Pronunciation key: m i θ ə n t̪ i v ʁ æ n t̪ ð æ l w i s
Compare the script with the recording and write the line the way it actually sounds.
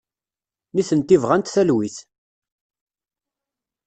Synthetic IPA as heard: n i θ ə n t̪ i v ʁ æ n t̪ θ æ l w i θ

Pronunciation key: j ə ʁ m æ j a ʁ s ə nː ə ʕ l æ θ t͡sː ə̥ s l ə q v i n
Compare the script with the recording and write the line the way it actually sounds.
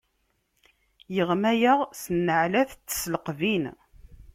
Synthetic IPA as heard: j ə ʁ m æ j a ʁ s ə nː ə ʕ l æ θ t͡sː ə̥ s l ə q v i n

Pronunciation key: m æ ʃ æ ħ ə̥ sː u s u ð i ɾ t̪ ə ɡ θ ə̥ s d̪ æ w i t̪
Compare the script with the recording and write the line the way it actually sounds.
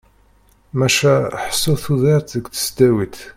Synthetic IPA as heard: m æ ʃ æ ħ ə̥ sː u θ u ð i ɾ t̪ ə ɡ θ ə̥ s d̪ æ w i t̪

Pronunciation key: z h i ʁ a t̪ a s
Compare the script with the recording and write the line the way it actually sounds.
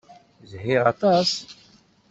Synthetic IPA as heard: z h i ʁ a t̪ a s

